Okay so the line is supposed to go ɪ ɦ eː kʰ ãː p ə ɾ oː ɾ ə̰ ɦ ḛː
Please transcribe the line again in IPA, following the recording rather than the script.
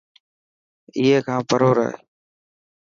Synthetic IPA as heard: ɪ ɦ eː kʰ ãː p ə ɾ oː ɾ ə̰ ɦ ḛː

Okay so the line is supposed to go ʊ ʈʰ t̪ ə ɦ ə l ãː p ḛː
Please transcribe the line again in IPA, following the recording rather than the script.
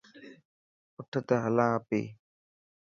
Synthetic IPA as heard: ʊ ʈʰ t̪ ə ɦ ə l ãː p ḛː

